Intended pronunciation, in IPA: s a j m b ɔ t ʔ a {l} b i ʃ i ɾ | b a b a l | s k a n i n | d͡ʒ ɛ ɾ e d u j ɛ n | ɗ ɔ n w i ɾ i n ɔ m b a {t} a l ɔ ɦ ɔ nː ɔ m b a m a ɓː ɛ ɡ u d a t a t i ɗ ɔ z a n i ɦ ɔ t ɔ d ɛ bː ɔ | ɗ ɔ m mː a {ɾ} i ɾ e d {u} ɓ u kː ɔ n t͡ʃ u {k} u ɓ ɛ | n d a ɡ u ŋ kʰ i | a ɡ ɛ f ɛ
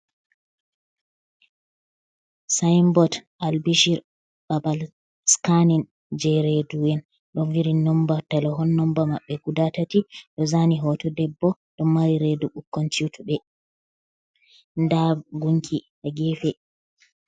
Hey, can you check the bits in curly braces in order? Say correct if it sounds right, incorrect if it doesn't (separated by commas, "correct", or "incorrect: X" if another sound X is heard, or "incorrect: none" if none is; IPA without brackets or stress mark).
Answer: correct, correct, correct, correct, incorrect: t